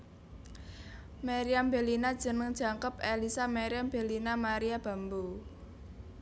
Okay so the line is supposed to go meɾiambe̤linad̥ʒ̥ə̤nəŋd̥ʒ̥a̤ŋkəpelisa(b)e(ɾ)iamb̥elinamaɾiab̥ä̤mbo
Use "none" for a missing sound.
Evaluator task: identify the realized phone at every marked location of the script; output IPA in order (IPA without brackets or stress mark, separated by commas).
m, ɾ